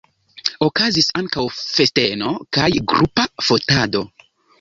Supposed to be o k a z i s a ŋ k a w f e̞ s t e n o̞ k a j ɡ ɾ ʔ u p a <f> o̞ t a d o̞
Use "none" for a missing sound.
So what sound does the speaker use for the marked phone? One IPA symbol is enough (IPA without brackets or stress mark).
f